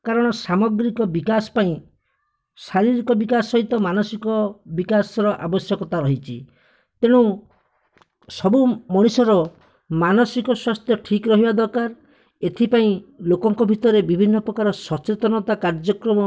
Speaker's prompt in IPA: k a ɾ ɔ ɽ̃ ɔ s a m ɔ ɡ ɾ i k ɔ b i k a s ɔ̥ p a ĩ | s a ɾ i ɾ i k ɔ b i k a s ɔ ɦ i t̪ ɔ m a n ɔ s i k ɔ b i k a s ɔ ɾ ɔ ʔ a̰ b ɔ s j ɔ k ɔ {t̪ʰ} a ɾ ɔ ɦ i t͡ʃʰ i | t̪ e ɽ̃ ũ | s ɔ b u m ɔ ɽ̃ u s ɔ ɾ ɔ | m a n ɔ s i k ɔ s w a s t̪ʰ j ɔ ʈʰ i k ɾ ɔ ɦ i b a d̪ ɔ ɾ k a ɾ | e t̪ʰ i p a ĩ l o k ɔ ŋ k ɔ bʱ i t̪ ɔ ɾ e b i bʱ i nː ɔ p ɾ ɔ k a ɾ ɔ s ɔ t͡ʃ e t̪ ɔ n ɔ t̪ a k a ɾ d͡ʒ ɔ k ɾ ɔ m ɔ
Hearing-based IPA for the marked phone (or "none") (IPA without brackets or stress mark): t̪